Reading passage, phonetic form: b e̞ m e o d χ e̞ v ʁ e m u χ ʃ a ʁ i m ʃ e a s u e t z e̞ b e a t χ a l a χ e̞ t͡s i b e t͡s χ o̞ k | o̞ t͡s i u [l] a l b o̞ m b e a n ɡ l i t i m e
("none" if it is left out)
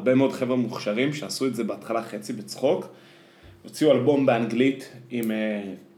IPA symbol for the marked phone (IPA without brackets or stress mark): none